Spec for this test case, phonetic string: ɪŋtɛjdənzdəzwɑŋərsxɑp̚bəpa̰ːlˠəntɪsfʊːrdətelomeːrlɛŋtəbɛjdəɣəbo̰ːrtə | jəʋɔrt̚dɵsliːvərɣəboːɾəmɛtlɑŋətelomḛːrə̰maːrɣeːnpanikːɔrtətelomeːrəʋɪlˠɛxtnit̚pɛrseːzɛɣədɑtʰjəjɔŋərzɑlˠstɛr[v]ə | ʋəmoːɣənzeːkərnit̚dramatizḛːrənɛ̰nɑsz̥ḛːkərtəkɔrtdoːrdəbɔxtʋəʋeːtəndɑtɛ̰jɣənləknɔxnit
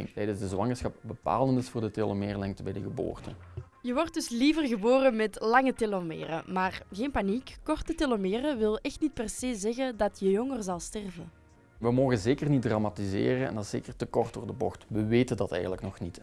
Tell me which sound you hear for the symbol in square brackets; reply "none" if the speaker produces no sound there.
v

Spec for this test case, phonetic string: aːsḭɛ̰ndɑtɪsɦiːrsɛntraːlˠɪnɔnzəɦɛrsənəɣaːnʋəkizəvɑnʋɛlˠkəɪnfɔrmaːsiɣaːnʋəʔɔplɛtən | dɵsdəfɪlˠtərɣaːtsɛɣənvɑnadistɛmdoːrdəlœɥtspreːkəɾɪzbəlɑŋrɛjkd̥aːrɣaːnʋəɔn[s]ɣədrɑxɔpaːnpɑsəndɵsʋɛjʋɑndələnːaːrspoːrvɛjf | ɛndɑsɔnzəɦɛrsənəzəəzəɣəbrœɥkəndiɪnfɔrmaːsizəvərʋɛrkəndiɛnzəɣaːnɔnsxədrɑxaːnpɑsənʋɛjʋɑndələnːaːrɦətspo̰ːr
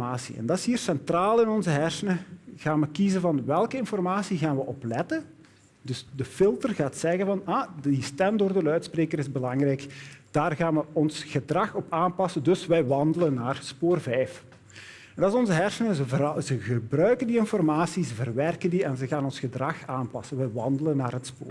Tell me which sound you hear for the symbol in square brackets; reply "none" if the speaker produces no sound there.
s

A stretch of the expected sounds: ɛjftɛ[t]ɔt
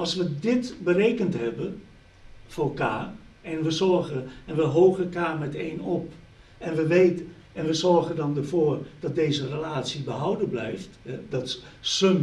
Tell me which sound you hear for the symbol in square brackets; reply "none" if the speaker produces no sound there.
d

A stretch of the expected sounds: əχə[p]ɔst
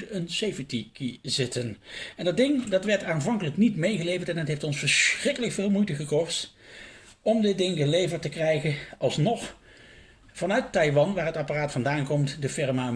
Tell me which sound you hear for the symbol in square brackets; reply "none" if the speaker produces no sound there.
k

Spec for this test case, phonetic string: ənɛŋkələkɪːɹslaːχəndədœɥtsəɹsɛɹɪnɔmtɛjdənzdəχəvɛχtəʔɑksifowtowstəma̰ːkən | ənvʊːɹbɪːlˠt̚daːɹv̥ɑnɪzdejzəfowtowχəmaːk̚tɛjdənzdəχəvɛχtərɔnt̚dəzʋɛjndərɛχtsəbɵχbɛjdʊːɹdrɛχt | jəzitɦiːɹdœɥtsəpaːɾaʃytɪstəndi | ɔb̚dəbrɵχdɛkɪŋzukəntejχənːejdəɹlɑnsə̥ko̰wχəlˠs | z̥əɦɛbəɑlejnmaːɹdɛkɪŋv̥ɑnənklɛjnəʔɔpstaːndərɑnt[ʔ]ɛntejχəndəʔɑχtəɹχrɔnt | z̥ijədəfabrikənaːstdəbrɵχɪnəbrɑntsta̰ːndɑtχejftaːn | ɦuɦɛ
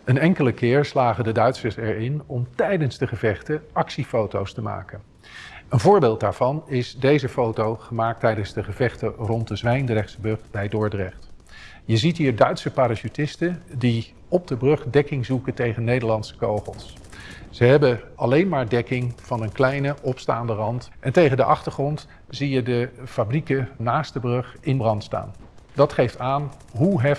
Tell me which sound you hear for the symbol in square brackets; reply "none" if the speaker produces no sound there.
ʔ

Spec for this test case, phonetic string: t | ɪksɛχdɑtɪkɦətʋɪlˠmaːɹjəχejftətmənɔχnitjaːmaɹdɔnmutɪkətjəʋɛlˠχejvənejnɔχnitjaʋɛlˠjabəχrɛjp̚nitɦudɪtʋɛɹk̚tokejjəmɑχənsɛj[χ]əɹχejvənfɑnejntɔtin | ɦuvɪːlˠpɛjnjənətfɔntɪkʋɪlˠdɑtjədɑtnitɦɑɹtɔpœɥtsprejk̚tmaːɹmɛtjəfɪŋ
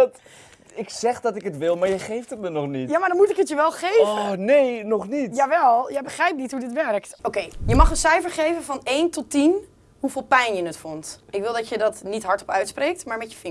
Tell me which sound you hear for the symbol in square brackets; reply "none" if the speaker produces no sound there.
f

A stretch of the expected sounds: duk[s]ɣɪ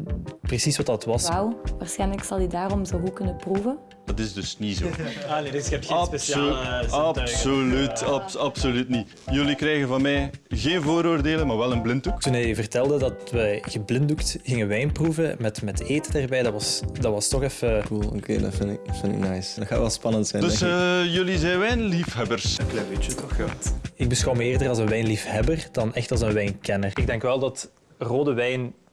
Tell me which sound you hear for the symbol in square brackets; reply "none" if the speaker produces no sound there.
t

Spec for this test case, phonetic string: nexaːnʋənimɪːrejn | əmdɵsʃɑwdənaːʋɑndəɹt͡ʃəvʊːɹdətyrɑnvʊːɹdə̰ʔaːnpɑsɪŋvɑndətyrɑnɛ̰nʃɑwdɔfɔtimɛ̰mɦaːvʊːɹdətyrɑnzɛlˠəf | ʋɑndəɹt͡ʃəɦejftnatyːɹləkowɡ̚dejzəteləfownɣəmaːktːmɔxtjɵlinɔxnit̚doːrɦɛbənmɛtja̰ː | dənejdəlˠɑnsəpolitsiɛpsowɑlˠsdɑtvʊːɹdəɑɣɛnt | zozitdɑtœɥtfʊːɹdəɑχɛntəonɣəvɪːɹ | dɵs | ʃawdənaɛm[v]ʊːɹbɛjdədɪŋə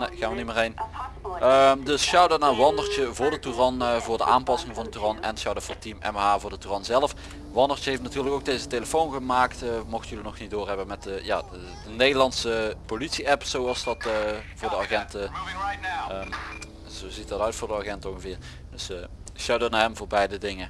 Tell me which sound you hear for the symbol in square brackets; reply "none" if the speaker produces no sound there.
v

